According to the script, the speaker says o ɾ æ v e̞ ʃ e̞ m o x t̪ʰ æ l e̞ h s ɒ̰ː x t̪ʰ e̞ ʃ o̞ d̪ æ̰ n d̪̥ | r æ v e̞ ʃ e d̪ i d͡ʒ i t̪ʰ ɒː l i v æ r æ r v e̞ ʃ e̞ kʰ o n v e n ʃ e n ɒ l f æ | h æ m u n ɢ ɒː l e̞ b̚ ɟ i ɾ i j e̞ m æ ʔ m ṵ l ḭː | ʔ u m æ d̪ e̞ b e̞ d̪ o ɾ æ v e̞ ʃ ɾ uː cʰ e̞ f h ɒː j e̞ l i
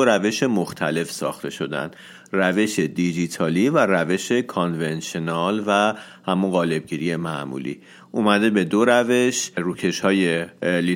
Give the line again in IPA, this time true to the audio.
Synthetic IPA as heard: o ɾ æ v e̞ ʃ e̞ m o x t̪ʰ æ l e̞ f s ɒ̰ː x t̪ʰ e̞ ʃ o̞ d̪ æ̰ n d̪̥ | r æ v e̞ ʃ e d̪ i d͡ʒ i t̪ʰ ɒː l i v æ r æ v e̞ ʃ e̞ kʰ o n v e n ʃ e n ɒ l v æ | h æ m u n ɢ ɒː l e̞ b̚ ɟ i ɾ i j e̞ m æ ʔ m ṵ l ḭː | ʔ u m æ d̪ e̞ b e̞ d̪ o ɾ æ v e̞ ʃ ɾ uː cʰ e̞ ʃ h ɒː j e̞ l i